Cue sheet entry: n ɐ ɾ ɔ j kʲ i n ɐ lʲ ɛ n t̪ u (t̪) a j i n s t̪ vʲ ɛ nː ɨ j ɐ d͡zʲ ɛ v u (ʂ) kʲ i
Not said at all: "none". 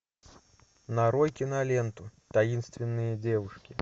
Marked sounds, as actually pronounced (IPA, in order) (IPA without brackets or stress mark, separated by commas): t̪, ʂ